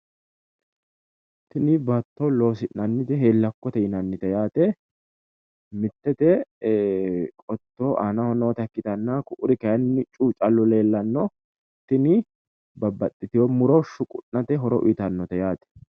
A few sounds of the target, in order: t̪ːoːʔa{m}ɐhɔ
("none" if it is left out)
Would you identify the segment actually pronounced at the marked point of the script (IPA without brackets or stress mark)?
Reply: n